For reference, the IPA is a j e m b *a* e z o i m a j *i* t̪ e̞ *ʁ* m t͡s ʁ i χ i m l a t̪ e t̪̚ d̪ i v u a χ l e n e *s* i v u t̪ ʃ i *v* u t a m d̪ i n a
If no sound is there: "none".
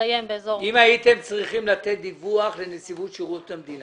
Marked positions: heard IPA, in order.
e, i, none, s, ʁ

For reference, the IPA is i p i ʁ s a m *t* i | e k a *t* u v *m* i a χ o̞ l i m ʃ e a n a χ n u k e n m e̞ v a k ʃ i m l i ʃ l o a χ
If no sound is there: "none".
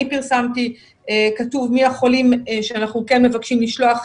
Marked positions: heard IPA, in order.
t, t, m

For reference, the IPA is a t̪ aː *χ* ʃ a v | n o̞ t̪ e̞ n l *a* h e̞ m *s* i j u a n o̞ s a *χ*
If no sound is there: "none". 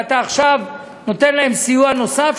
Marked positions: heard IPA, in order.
χ, a, s, f

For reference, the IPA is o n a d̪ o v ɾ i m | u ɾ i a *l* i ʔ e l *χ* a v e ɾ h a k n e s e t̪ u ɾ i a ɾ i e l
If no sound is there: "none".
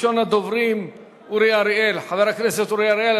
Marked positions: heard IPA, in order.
ɾ, ħ

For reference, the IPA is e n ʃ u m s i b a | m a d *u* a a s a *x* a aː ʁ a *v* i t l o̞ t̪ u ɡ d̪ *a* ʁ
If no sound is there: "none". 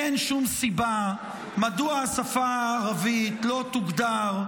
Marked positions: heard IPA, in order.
u, f, v, a

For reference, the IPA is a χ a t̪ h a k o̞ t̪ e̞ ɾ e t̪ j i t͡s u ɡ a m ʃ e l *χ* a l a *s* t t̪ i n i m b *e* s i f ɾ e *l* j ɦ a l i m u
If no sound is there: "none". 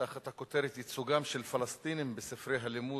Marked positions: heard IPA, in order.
f, s, e, none

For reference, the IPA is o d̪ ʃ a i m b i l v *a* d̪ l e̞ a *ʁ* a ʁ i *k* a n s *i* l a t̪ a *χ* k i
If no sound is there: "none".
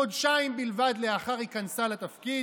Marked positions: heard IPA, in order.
a, χ, k, a, f

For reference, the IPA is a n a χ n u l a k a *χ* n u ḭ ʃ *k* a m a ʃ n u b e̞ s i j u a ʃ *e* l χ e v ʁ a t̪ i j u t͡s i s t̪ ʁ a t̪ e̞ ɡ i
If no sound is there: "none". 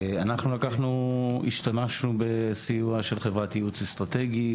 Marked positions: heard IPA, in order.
χ, t, e

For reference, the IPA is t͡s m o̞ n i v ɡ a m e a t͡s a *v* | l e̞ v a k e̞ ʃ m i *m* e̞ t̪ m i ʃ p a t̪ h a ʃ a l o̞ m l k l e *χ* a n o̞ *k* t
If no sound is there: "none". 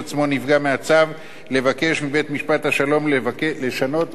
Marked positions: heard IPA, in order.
v, b, ʃ, none

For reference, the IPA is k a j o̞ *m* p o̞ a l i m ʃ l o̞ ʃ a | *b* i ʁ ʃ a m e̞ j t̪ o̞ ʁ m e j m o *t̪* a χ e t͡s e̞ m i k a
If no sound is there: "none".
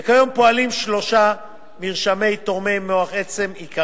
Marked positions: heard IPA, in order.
m, m, none

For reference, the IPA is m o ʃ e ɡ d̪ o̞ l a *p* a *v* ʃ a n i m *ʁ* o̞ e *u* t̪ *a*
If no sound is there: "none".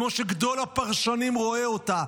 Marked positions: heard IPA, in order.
p, ʁ, ʁ, o, a

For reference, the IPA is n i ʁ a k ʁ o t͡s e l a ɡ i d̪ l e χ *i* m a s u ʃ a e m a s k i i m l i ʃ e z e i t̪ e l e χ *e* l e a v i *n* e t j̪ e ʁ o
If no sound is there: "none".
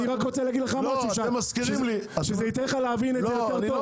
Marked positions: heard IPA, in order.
a, a, n

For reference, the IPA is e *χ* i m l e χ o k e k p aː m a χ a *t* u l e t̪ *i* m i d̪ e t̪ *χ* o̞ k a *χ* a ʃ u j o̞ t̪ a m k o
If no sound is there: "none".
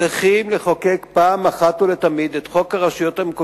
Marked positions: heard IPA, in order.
χ, t, a, χ, ʁ

